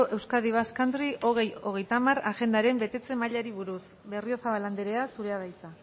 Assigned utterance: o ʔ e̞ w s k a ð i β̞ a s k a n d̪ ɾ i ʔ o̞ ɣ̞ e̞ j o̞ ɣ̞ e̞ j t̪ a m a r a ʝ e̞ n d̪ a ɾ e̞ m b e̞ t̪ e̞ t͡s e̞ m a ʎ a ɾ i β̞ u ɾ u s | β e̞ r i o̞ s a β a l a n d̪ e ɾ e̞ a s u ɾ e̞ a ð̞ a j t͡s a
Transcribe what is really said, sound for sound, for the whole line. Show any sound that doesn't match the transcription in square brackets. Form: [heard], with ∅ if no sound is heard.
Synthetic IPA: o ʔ e̞ w s k a ð i β̞ a s k a n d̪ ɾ i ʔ o̞ ɣ̞ e̞ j o̞ ɣ̞ e̞ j t̪ a m a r a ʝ e̞ n d̪ a ɾ e̞ m b e̞ t̪ e̞ t͡s e̞ m a ʎ a ɾ i β̞ u ɾ u s | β e̞ r i o̞ s a β a l a n d̪ e ɾ e̞ a s u ɾ e̞ a ð̞ a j t͡s a